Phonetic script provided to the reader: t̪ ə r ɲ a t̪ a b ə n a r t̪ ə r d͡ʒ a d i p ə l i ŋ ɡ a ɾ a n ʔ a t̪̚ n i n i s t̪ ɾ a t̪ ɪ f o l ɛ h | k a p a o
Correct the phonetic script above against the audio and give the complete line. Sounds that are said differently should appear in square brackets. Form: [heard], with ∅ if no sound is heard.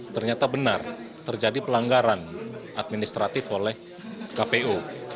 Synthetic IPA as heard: t̪ ə r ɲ a t̪ a b ə n a r t̪ ə r d͡ʒ a d i p ə l [a] ŋ ɡ a ɾ a n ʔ a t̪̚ [m] i n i s t̪ ɾ a t̪ ɪ f o l ɛ h | k a p [e] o

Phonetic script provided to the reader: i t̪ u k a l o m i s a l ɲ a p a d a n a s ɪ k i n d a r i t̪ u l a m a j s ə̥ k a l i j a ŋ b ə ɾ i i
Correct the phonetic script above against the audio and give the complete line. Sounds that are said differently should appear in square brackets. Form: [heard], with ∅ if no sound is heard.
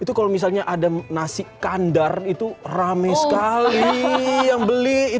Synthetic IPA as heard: i t̪ u k a l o m i s a l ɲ a [ʔ] a d a n a s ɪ k [a] n d a r i t̪ u [r] a m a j s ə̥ k a l i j a ŋ b ə [l] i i

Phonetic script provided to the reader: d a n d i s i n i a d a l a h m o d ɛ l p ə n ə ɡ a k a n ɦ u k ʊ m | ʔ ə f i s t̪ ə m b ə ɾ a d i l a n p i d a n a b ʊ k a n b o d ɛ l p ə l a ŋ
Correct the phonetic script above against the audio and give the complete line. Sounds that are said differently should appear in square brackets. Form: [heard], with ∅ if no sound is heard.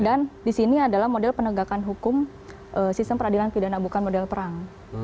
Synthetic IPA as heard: d a n d i s i n i a d a l a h m o d ɛ l p ə n ə ɡ a k a n ɦ u k ʊ m | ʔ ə [s] i s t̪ ə m [p] ə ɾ a d i l a n p i d a n a b [u] k a n [m] o d ɛ l p ə [ɾ] a ŋ

